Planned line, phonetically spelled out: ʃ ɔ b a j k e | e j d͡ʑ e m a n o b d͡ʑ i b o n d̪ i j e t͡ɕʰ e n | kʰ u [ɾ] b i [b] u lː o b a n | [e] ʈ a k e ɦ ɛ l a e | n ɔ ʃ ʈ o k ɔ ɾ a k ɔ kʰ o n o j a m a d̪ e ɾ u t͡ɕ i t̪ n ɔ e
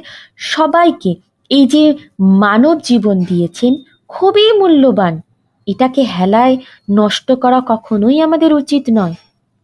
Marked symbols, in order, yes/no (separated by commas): no, no, yes